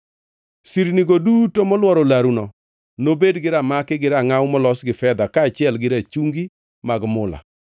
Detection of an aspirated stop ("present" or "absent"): absent